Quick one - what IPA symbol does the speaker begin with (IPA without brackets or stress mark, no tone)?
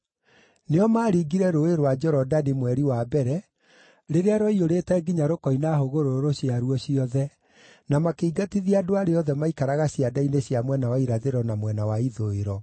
n